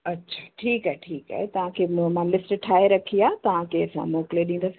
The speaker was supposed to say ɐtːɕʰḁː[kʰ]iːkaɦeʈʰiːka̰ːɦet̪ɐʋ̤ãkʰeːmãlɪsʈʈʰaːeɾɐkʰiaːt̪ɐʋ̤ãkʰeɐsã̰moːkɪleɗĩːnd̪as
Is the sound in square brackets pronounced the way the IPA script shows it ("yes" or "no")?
no